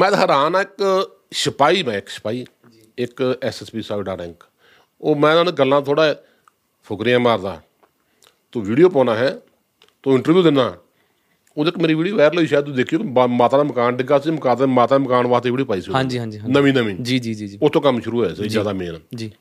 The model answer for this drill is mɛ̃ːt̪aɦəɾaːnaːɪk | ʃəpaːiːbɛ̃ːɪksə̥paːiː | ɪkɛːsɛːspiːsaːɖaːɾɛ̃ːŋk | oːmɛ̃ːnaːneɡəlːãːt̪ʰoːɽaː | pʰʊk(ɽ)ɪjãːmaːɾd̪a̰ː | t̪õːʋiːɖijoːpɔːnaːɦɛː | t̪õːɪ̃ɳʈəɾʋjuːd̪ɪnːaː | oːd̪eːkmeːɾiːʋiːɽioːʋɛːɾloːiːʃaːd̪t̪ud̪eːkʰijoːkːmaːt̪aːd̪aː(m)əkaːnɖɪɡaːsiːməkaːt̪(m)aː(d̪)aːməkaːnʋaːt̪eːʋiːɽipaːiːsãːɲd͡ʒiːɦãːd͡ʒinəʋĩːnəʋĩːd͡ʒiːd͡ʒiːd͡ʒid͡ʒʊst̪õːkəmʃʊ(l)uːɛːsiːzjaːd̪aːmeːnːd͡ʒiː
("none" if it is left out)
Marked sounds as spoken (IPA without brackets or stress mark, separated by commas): ɾ, m, m, t̪, ɾ